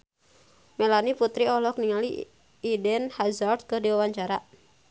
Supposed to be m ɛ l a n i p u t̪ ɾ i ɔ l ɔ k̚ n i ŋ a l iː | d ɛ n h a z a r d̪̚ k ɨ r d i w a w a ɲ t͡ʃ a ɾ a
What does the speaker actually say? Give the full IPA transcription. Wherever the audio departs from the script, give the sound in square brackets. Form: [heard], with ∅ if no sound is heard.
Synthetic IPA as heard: m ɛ l a n i p u t̪ ɾ i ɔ l ɔ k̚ n i ŋ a l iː | d ɛ n h a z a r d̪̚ k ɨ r d i w a w a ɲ t͡ʃ a ɾ a